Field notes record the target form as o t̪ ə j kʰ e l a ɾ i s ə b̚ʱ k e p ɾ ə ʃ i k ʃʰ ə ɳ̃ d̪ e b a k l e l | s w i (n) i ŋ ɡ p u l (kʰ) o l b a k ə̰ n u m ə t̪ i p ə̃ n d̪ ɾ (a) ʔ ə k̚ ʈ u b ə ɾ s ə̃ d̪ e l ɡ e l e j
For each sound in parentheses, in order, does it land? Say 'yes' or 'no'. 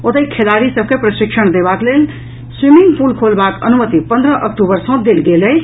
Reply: no, yes, no

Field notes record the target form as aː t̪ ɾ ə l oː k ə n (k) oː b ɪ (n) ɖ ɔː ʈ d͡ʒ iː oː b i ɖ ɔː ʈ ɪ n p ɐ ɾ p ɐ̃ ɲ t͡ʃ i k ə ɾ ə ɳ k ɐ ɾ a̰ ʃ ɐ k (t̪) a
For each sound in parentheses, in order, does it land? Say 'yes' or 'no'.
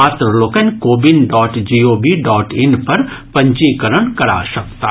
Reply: yes, yes, yes

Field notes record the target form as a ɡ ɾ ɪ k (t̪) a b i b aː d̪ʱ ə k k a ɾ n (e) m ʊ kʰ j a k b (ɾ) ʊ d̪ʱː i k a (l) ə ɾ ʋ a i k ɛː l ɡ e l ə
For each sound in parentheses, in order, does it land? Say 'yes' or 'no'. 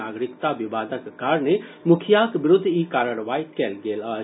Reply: yes, yes, yes, no

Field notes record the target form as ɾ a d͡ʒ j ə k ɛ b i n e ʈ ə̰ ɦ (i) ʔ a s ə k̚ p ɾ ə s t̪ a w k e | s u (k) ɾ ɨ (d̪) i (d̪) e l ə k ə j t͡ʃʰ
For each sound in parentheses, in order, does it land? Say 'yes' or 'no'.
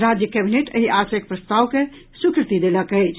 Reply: yes, yes, no, yes

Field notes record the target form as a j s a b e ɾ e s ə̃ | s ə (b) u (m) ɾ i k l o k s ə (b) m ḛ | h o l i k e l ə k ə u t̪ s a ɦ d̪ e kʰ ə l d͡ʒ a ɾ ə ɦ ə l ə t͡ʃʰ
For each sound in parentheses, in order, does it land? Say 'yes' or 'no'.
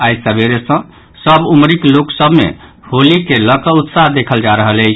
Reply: yes, yes, yes

